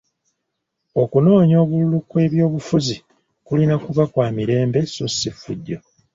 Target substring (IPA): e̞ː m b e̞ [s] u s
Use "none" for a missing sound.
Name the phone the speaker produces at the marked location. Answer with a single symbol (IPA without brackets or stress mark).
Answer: s